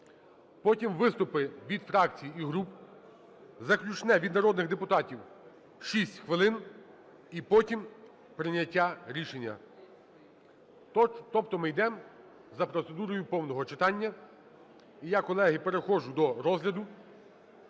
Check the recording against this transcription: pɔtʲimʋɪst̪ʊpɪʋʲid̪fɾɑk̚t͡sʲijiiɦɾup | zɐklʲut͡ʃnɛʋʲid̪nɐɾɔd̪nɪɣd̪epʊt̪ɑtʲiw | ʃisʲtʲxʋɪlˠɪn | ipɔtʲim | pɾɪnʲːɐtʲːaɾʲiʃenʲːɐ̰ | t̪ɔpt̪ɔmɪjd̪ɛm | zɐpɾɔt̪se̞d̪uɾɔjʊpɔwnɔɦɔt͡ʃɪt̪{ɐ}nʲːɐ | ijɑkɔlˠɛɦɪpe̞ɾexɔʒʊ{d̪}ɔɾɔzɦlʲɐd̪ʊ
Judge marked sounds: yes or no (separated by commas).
no, yes